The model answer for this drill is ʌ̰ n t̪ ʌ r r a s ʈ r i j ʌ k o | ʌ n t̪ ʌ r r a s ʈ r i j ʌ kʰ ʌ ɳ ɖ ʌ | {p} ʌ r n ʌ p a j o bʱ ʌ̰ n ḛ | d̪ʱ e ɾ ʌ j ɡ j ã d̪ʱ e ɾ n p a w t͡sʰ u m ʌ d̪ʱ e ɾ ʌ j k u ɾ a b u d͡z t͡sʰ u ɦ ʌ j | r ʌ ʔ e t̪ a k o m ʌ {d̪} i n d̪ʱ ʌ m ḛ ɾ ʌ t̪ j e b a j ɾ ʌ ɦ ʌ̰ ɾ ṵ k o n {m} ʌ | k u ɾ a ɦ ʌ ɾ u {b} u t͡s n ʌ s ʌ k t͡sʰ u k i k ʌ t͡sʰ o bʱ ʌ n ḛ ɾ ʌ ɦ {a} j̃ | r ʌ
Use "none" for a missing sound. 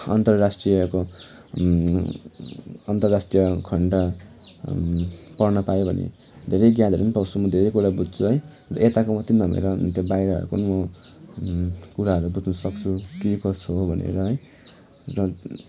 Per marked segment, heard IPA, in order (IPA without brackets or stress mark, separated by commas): p, t̪, m, b, ʌ